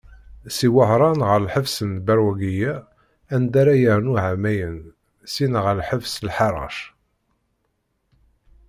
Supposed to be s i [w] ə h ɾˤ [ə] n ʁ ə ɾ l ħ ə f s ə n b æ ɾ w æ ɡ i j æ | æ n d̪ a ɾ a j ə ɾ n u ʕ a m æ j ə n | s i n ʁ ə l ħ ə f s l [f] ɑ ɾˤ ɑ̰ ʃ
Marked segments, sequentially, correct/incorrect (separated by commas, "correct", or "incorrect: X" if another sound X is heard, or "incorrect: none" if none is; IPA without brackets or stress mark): correct, incorrect: ɑ, incorrect: ħ